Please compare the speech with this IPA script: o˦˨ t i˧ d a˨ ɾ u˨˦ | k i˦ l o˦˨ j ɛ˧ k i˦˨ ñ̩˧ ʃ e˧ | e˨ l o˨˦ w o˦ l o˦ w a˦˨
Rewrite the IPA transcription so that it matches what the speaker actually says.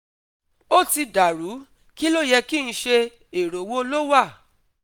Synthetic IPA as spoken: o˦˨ t i˧ d a˨ ɾ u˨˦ | k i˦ l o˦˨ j ɛ˧ k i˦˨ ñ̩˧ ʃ e˧ | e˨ ɾ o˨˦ w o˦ l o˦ w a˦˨